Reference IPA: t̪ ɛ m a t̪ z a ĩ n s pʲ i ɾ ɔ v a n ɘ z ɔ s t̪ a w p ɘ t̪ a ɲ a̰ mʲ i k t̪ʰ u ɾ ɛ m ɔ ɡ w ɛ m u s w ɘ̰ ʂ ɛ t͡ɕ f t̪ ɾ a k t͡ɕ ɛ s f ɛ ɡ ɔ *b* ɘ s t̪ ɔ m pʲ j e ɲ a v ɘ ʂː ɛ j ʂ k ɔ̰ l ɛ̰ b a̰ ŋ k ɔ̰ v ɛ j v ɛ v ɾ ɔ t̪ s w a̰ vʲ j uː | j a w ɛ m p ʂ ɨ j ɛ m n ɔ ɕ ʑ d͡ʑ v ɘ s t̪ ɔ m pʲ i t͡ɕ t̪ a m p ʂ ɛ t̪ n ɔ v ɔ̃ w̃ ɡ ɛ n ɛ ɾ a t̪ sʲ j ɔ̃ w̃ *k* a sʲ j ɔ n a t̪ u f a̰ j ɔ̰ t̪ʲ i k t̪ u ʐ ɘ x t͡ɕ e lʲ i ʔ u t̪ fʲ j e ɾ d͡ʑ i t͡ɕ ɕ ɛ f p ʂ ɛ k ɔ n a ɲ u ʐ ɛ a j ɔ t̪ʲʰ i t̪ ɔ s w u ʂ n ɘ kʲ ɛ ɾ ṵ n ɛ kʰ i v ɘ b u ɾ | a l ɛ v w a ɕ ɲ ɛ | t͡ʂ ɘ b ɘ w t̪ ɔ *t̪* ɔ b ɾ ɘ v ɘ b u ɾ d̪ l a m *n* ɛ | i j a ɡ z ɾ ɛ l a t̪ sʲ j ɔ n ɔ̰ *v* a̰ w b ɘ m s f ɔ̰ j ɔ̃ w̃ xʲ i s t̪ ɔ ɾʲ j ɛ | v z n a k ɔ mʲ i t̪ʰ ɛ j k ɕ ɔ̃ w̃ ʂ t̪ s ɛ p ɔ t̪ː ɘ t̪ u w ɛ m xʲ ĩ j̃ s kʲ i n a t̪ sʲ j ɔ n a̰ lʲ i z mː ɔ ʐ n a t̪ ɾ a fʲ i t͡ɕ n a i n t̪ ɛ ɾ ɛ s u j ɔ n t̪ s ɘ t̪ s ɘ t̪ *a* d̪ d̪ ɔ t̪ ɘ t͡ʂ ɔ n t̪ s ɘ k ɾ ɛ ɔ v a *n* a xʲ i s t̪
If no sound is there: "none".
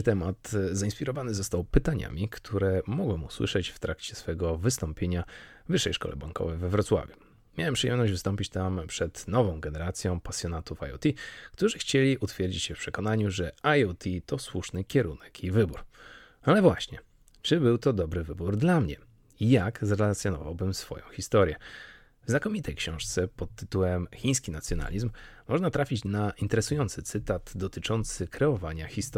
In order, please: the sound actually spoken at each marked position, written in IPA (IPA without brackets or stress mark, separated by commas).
v, p, d̪, ɲ, v, a, ɲ